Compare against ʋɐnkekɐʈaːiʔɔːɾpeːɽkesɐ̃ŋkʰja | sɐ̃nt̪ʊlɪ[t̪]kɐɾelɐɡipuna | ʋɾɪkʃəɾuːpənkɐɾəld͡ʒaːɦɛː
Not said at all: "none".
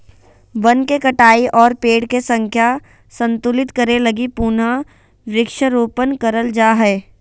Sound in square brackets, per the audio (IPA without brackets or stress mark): t̪